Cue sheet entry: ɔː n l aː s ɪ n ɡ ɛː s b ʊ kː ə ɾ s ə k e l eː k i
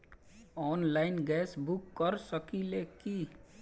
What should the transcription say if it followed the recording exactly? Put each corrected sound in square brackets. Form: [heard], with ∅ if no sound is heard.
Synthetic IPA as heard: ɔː n l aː [∅] ɪ n ɡ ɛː s b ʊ kː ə ɾ s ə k [i] l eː k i

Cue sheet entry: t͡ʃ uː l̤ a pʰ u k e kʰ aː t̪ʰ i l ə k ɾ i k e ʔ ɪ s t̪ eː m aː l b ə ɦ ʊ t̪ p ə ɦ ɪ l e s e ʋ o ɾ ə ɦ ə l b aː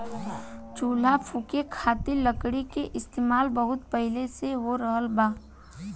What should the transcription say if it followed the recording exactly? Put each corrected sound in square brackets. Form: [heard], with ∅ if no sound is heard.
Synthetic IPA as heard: t͡ʃ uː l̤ a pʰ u k e kʰ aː [t̪] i l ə k [ɽ] i k e ʔ ɪ s t̪ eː m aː l b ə ɦ ʊ t̪ p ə ɦ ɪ l e s e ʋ o ɾ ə ɦ ə l b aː

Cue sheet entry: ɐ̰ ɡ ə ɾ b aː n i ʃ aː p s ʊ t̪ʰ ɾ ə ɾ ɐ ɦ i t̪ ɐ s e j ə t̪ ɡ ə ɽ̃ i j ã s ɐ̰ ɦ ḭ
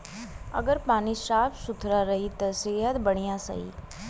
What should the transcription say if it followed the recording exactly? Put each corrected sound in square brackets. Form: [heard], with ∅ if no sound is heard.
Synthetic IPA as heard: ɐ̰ ɡ ə ɾ [p] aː n i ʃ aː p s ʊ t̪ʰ ɾ [a] ɾ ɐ ɦ i t̪ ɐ s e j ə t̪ [b] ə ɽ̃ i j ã s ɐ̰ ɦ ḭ

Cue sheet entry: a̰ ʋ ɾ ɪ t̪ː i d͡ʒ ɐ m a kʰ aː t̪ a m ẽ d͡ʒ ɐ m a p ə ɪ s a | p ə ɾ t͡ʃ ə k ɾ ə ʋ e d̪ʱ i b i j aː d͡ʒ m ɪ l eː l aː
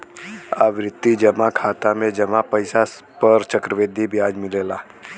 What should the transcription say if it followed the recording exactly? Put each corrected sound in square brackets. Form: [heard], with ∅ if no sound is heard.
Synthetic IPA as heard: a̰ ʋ ɾ ɪ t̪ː i d͡ʒ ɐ m a kʰ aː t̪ a m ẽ d͡ʒ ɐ m a p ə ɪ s a | p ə ɾ t͡ʃ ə k ɾ ə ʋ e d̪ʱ i b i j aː d͡ʒ m ɪ l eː l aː

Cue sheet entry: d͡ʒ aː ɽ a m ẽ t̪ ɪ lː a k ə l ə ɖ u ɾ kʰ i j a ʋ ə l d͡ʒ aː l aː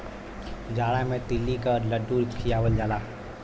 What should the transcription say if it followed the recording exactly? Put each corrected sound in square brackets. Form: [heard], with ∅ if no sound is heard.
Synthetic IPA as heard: d͡ʒ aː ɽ a m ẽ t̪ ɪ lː [i] k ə l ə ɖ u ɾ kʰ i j a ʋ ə l d͡ʒ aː l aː

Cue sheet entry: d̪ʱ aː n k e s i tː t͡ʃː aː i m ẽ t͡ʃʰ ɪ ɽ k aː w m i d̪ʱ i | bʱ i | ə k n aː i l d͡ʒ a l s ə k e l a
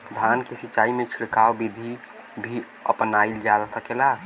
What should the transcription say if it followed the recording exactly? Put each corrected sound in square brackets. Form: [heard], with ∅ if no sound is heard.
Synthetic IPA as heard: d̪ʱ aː n k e s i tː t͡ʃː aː i m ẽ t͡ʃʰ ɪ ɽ k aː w [b] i d̪ʱ i | bʱ i | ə [p] n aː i l d͡ʒ a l s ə k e l a

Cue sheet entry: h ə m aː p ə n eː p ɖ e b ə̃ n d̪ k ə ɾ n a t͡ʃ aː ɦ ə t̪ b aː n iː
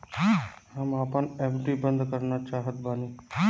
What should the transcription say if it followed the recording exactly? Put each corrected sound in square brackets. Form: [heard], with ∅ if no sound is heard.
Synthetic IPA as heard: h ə m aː p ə n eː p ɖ [i] b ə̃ n d̪ k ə ɾ n a t͡ʃ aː ɦ ə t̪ b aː n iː

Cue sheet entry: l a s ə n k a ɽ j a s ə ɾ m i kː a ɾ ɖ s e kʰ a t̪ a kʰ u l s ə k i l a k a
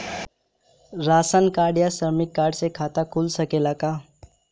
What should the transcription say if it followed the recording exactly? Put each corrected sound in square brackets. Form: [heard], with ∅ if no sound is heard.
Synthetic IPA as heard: [ɾ] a s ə n k a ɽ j a s ə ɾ m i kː a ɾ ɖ s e kʰ a t̪ a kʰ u l s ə k [e] l a k a

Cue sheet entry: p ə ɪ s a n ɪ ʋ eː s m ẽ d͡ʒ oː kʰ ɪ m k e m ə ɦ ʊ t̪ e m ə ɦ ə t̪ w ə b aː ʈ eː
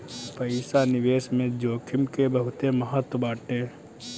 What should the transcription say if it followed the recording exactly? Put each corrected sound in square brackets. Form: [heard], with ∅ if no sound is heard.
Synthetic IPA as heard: p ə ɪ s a n ɪ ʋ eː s m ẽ d͡ʒ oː kʰ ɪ m k e [b] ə ɦ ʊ t̪ e m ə ɦ ə t̪ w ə b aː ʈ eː

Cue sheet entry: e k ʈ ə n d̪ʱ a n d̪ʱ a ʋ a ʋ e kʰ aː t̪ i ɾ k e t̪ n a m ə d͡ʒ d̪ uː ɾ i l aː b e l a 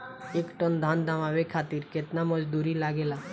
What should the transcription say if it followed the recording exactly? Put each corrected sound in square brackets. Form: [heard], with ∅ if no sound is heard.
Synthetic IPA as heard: e k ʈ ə n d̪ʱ a n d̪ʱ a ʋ a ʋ e kʰ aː t̪ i ɾ k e t̪ n a m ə d͡ʒ d̪ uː ɾ i l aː [ɡ] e l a

